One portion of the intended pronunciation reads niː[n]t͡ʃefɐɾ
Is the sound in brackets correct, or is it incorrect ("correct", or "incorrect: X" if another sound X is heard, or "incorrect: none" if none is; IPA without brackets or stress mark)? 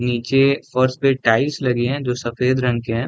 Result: incorrect: none